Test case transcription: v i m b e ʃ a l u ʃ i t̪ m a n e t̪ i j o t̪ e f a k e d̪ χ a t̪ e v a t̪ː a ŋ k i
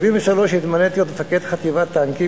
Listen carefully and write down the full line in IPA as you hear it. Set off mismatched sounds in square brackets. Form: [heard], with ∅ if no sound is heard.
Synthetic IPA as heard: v i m [v] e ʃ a l [o] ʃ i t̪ m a n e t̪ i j o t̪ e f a k e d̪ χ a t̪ [i] v a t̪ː a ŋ k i